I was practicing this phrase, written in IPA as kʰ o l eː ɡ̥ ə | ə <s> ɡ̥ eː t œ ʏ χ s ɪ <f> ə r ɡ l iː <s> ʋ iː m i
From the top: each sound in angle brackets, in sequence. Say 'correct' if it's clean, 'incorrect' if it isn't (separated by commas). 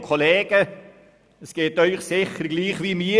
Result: correct, incorrect, incorrect